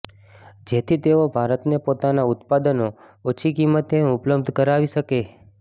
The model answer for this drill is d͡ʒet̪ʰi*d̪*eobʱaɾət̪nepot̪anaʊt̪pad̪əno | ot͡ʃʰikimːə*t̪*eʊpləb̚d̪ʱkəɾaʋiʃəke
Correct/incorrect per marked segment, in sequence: incorrect: t̪, correct

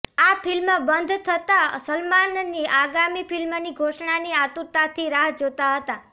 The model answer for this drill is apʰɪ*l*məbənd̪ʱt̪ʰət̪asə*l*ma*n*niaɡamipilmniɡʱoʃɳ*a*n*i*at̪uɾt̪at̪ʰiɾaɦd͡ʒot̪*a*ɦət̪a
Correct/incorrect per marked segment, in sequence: correct, correct, correct, correct, correct, correct

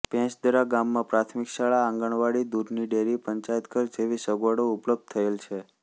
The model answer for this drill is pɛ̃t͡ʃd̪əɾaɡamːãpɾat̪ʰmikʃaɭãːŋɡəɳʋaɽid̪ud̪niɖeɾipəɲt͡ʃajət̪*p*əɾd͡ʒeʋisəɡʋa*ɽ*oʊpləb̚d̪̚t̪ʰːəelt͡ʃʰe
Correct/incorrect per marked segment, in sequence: incorrect: k, correct

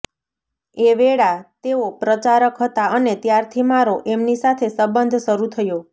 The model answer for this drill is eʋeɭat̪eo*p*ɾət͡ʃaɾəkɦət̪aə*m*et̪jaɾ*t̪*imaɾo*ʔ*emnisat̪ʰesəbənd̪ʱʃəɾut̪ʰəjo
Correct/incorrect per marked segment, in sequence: correct, incorrect: n, incorrect: t̪ʰ, correct

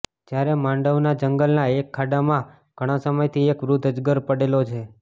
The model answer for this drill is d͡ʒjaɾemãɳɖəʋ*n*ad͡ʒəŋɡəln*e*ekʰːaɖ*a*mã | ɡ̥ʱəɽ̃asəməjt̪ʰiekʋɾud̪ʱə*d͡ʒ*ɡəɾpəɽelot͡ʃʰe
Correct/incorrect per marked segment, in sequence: correct, incorrect: a, correct, correct

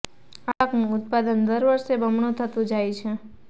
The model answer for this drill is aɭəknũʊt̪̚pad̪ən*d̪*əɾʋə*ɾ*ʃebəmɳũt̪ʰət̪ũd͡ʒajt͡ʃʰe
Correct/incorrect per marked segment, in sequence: correct, correct

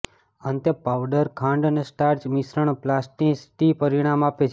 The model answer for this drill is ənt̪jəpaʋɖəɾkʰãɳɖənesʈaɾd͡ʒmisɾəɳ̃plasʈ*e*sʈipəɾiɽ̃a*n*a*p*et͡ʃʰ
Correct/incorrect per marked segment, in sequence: incorrect: i, incorrect: m, correct

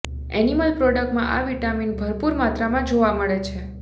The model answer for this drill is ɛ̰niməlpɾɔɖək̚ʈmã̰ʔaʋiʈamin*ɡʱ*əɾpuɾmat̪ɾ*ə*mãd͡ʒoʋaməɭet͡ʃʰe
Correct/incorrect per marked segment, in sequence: incorrect: bʱ, incorrect: a

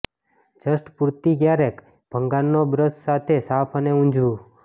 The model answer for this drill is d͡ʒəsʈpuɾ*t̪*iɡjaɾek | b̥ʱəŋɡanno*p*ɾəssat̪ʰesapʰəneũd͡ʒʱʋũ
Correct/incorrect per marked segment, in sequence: correct, incorrect: b

